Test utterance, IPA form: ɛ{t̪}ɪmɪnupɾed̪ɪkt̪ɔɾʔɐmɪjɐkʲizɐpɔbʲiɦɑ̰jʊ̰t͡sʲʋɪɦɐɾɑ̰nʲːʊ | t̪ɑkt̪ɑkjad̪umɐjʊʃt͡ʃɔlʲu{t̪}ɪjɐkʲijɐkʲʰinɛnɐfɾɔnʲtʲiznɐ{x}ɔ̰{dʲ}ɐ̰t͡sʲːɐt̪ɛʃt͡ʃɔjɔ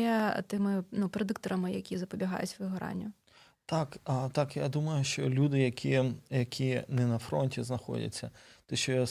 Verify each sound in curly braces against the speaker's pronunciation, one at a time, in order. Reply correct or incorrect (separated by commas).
correct, incorrect, correct, correct